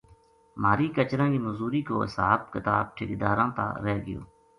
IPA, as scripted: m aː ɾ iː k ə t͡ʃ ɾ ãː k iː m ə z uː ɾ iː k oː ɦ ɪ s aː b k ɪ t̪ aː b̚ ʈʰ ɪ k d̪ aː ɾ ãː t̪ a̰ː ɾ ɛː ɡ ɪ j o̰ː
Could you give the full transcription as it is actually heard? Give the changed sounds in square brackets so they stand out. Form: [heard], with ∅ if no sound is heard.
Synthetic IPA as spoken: m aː ɾ iː k ə t͡ʃ ɾ ãː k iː m ə z uː ɾ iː k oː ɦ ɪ s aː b k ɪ t̪ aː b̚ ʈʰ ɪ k d̪ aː ɾ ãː t̪ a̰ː ɾ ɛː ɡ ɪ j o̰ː